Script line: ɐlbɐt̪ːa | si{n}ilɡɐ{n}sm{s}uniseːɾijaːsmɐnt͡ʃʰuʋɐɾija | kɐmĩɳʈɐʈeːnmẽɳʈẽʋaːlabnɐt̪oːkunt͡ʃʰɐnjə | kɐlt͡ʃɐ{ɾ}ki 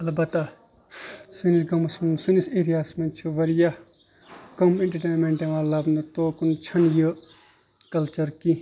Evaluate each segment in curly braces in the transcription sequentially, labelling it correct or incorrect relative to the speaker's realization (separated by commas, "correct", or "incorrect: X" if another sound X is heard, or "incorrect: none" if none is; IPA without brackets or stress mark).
correct, incorrect: m, correct, correct